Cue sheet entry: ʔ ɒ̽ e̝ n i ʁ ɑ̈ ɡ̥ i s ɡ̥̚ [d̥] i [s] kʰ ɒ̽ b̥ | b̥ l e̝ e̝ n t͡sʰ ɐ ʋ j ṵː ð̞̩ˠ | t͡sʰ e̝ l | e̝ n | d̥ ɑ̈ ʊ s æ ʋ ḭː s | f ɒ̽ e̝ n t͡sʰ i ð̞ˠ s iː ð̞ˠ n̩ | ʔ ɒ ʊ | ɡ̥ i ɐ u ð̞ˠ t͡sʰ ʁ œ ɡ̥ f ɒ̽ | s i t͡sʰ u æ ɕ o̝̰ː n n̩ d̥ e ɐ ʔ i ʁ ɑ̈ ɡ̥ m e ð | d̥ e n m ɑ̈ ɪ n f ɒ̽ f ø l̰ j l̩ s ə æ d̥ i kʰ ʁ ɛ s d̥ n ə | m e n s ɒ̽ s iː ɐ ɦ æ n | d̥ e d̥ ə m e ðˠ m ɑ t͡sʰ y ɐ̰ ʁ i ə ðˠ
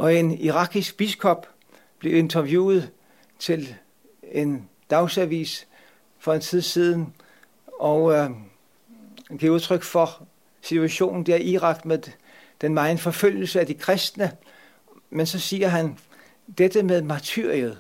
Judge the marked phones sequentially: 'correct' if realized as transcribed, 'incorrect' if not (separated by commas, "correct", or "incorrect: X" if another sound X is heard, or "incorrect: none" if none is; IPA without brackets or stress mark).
incorrect: b̥, correct